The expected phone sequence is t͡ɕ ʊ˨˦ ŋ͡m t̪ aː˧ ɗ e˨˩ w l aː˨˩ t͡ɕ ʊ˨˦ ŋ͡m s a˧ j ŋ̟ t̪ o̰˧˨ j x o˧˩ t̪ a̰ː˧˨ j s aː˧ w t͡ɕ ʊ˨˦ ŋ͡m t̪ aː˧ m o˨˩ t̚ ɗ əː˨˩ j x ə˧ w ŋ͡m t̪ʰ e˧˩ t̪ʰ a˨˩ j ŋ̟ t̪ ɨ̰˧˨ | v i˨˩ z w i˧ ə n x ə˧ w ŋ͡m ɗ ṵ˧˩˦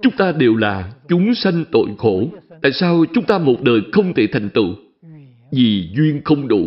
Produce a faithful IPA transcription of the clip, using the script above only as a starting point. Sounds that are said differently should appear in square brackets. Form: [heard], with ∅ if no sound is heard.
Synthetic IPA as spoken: t͡ɕ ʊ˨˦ ŋ͡m t̪ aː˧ ɗ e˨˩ w l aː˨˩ t͡ɕ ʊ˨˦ ŋ͡m s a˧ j ŋ̟ t̪ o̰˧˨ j x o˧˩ t̪ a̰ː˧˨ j s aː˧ w t͡ɕ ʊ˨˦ ŋ͡m t̪ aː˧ m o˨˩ t̚ ɗ əː˨˩ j x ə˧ w ŋ͡m t̪ʰ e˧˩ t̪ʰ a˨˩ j ŋ̟ t̪ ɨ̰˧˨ | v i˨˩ z w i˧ ə n x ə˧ w ŋ͡m ɗ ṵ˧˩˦